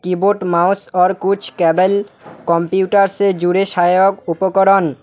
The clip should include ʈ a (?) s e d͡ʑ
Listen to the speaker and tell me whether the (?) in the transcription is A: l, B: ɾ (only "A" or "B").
B